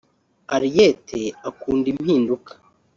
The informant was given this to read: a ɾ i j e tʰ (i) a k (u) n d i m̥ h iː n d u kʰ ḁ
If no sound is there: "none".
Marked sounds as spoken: e, uː

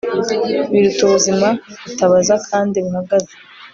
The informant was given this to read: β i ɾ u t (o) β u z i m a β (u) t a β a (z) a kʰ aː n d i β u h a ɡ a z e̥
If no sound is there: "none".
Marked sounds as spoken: u, u, z

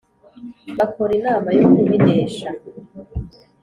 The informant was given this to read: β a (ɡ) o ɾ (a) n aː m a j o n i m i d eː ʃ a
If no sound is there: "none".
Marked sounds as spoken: k, i

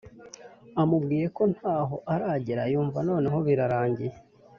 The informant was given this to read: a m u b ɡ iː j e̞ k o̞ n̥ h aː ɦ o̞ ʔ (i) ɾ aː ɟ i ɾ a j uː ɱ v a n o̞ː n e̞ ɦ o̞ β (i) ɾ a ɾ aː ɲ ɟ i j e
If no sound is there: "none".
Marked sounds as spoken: a, i

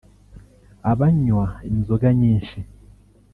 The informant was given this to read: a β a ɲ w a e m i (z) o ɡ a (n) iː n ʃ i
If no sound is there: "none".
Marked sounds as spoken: z, ɲ

